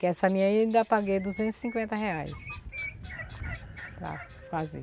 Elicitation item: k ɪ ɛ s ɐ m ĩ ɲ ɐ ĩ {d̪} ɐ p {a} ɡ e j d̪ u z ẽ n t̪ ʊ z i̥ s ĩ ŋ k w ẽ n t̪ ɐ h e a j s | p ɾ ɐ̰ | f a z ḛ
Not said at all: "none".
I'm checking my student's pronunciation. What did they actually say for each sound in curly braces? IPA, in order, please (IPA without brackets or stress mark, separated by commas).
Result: d̪, a